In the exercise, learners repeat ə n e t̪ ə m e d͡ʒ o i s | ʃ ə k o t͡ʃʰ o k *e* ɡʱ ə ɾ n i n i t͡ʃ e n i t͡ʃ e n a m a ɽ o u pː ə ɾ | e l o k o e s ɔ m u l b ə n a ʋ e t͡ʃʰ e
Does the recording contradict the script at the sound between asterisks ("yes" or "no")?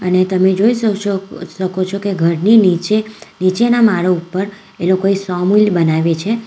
no